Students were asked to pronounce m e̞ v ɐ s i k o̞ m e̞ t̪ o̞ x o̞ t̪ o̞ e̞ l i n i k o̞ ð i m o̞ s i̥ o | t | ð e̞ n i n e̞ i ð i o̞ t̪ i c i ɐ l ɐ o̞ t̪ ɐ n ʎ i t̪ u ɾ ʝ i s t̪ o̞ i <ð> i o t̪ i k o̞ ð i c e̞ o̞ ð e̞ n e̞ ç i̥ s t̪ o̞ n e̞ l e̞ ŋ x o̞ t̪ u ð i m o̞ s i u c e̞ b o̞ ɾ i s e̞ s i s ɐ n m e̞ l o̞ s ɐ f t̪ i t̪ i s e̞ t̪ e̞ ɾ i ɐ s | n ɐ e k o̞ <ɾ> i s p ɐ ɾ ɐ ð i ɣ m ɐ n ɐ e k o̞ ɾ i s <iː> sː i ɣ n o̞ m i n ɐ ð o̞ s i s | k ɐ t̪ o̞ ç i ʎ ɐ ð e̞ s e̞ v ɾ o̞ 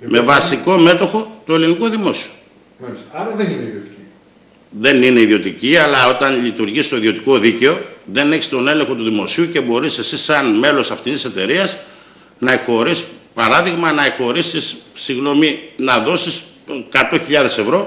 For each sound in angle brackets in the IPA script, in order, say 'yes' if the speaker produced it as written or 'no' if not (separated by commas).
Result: yes, yes, no